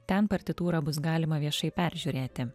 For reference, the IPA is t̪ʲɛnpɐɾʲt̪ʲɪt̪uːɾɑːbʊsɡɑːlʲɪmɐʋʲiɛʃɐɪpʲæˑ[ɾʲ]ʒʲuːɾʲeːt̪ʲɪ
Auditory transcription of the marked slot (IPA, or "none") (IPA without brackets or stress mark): ɾʲ